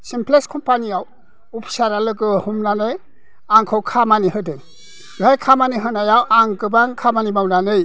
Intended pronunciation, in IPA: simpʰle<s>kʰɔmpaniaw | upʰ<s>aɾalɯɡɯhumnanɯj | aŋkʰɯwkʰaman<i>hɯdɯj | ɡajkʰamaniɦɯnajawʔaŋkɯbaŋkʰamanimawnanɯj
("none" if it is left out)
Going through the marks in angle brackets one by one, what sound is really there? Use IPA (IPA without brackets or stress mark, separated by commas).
s, s, i